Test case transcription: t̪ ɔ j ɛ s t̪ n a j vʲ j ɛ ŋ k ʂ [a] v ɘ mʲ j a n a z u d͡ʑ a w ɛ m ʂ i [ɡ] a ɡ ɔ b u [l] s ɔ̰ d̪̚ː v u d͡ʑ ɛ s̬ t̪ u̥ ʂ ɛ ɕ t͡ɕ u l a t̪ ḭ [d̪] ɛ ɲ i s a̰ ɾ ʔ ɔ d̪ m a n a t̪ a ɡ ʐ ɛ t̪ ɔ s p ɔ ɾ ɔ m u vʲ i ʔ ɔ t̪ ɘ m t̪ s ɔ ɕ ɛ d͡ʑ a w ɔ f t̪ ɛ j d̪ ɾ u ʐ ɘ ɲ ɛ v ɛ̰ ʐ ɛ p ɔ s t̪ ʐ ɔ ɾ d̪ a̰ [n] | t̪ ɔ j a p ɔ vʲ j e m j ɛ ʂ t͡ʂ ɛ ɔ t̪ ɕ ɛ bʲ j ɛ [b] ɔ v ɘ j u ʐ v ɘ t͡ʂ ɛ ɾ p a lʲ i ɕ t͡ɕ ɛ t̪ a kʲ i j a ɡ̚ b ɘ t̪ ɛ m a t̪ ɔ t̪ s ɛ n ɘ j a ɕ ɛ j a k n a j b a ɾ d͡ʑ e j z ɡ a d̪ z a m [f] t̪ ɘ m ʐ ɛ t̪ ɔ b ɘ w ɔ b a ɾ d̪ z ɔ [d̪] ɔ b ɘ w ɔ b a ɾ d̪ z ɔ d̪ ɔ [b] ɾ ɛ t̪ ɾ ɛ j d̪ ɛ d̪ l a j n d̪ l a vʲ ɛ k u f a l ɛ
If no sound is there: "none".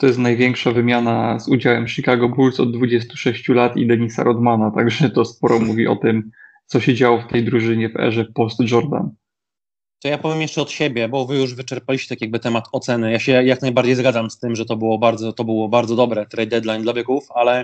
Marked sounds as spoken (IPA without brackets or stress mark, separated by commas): a, k, l, d̪, n, b, s, t̪, b